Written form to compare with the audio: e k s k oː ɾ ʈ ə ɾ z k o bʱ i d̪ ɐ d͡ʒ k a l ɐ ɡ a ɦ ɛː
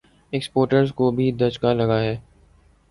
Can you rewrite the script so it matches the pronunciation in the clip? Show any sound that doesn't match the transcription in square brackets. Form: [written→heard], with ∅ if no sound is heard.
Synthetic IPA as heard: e k s [k→p] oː ɾ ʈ ə ɾ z k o bʱ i d̪ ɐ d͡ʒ k a l ɐ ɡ a ɦ ɛː